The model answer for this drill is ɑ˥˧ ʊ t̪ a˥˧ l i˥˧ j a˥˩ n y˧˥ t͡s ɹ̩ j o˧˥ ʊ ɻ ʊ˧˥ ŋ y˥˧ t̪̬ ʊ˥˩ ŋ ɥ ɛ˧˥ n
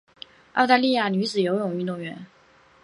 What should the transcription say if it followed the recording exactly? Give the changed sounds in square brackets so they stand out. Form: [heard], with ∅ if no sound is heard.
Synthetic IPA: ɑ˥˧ ʊ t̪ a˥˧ l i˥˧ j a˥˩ n y˧˥ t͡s ɹ̩ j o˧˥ ʊ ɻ [ʊ˨˩] ŋ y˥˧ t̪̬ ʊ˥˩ ŋ ɥ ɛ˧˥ n